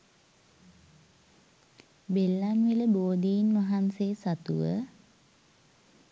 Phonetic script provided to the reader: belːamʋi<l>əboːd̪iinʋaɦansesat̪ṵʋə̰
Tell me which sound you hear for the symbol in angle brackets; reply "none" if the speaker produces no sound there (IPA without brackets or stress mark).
l